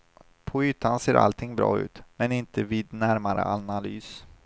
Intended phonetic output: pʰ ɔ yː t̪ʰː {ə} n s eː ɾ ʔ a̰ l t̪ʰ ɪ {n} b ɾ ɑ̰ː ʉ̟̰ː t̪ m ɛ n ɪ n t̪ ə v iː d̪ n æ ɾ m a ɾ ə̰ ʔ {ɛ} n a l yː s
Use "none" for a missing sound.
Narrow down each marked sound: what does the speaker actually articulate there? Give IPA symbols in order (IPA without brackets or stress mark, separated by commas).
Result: a, ŋ, a